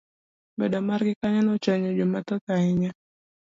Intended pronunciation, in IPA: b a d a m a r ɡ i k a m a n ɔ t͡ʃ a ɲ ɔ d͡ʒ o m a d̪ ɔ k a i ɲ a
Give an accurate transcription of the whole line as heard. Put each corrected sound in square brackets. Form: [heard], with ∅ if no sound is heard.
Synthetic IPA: b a d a m a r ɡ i k a [ɲ] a n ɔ t͡ʃ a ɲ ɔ d͡ʒ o m a [t̪] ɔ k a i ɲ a